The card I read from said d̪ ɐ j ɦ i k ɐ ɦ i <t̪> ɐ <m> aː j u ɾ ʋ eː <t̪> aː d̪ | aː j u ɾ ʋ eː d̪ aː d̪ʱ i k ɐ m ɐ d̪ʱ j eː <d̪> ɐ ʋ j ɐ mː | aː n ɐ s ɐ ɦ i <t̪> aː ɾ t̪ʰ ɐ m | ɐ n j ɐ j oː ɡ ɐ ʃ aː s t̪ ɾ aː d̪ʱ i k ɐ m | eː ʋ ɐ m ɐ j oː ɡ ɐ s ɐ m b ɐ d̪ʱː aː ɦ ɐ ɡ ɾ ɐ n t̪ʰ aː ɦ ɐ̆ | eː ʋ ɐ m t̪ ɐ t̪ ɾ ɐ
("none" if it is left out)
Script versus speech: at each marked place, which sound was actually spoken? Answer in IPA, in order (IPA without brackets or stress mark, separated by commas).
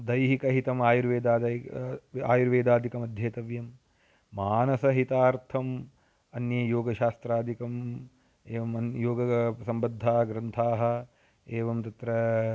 t̪, m, d̪, t̪, t̪